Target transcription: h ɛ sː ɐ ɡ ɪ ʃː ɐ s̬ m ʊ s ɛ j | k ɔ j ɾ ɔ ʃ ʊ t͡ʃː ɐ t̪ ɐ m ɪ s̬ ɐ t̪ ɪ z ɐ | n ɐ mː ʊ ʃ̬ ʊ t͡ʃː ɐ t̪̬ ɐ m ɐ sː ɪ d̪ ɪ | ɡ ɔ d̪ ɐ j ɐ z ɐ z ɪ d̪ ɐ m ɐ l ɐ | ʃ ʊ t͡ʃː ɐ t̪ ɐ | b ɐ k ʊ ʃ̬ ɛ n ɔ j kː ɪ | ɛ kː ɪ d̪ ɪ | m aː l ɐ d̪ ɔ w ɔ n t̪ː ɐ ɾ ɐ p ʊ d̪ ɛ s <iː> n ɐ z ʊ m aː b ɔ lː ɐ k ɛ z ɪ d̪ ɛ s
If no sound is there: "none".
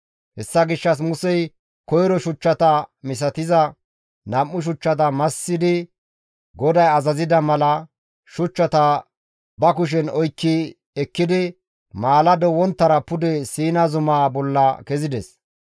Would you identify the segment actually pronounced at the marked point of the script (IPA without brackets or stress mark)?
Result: iː